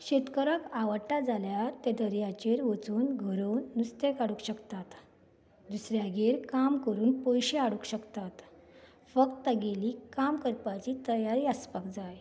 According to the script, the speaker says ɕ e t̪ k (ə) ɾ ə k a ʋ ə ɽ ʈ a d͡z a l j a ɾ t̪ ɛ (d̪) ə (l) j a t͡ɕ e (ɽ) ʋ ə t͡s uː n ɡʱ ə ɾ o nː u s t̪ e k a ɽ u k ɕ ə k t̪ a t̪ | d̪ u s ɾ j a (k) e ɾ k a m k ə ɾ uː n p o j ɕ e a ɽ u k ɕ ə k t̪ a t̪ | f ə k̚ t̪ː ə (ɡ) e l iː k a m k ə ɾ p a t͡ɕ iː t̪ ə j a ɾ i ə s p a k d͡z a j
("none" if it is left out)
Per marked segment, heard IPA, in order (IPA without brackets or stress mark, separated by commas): ə, d̪, ɾ, ɾ, ɡ, ɡ